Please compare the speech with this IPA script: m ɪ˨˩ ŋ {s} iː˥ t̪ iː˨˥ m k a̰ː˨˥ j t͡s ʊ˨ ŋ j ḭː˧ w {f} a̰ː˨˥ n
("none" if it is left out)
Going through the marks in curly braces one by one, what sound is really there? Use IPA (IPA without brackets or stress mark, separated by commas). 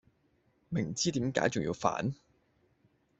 t͡s, f